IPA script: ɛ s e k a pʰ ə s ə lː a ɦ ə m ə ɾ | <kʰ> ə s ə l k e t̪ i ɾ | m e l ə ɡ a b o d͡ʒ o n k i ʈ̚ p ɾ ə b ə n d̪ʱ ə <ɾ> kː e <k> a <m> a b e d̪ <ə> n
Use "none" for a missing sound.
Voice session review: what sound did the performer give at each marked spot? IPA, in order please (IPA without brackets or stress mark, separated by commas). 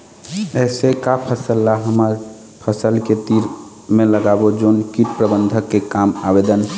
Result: pʰ, none, k, m, ə